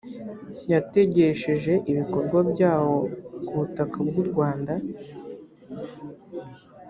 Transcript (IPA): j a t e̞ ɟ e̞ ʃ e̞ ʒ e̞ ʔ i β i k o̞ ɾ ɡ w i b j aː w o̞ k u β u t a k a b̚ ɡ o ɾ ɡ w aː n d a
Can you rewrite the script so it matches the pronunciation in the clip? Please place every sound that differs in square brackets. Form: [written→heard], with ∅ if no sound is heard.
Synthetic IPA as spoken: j a t e̞ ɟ e̞ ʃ e̞ ʒ e̞ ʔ i β i k o̞ ɾ ɡ w [i→a] b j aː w o̞ k u β u t a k a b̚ ɡ [o→u] ɾ ɡ w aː n d a